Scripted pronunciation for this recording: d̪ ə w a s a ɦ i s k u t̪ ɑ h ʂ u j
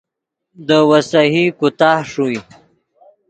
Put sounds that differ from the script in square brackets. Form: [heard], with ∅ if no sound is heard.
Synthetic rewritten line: d̪ ə w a s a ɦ i [∅] k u t̪ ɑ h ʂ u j